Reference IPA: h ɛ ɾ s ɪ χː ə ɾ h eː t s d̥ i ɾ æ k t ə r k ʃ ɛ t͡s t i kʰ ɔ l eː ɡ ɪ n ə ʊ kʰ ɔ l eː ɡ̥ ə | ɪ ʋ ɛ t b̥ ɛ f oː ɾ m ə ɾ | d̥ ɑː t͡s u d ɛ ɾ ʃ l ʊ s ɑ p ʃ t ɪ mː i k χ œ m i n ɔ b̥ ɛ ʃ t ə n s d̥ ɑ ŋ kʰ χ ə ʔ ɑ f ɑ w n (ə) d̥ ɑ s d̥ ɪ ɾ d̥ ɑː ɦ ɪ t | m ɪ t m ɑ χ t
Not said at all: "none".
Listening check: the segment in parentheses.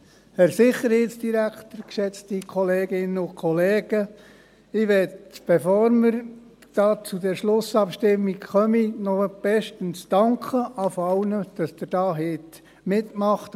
ə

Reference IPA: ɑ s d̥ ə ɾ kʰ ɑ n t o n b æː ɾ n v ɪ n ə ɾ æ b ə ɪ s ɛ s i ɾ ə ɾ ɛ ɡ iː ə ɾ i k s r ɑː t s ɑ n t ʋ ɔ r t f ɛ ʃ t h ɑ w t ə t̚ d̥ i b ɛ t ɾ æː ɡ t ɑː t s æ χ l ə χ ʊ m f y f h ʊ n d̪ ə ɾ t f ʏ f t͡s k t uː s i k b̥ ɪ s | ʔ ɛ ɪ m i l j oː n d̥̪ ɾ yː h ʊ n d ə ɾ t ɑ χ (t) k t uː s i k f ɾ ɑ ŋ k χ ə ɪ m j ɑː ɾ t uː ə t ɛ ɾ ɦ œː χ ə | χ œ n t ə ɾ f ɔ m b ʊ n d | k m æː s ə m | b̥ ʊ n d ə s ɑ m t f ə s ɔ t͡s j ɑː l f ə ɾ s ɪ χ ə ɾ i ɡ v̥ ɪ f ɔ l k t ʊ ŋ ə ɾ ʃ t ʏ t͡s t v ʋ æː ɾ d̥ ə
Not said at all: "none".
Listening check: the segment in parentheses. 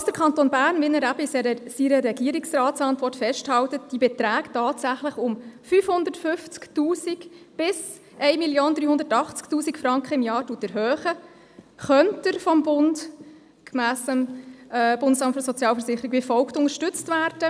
t͡s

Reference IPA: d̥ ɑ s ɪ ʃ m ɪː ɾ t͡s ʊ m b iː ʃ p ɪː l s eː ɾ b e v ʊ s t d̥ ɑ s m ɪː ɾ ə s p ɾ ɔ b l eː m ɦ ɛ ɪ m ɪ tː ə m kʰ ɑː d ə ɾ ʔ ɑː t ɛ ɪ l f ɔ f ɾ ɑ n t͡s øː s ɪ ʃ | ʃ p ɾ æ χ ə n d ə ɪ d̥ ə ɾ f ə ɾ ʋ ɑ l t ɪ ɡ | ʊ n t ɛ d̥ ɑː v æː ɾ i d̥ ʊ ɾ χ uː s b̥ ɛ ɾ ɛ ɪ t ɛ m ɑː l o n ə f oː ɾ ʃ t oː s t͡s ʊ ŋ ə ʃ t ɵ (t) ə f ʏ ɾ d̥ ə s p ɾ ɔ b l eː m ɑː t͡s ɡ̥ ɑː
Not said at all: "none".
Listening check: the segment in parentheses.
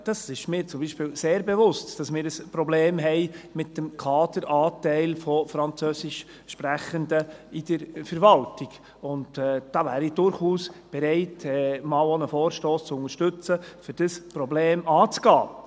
t͡s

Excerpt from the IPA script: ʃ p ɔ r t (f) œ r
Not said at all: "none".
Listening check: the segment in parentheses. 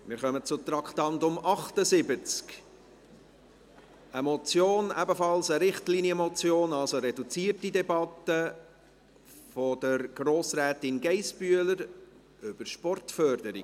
f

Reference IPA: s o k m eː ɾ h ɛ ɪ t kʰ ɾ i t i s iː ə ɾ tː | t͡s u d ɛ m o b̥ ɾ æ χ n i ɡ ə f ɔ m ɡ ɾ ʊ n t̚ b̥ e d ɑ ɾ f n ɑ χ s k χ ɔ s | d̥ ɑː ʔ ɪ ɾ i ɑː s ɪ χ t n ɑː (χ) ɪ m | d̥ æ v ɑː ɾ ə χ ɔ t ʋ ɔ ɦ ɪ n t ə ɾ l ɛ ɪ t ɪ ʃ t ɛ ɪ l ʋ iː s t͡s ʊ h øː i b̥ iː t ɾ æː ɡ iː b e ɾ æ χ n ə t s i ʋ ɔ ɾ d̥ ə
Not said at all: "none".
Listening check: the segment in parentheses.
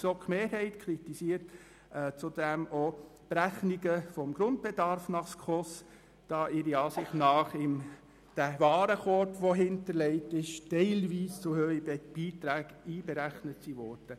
χ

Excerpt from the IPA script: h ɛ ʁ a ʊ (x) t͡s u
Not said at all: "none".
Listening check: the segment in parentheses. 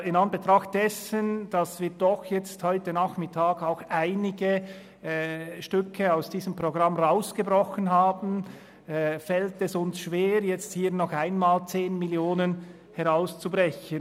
s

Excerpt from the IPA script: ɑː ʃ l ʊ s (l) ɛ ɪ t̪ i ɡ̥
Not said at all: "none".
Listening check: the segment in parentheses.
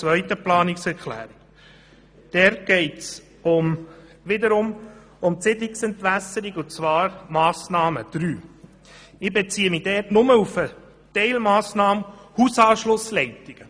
l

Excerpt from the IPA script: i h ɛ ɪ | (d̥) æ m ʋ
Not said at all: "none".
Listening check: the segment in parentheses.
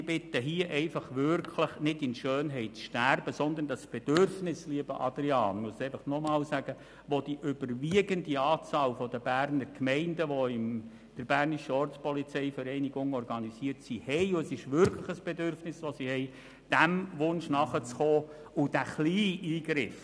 d̥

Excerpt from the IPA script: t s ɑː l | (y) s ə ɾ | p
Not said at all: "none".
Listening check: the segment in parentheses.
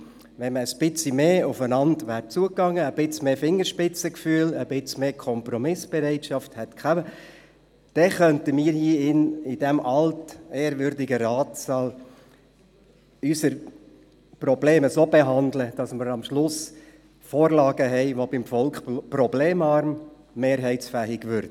y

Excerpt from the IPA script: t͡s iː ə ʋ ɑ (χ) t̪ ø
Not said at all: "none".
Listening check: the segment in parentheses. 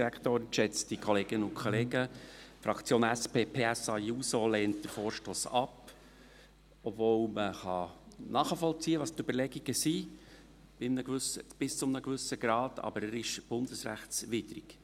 s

